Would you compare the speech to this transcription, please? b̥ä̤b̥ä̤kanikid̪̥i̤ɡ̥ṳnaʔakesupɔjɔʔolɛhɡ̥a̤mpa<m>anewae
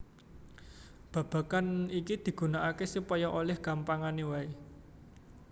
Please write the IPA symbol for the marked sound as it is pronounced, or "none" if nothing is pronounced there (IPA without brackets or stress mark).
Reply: ŋ